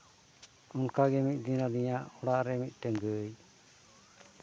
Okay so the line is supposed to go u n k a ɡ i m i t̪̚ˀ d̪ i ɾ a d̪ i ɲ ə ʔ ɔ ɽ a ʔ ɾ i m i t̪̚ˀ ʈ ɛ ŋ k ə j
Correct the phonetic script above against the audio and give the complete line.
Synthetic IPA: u n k a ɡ ɛ m i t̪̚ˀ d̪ i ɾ a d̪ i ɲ a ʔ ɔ ɽ a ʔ ɾ ɛ m i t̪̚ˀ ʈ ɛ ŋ ɡ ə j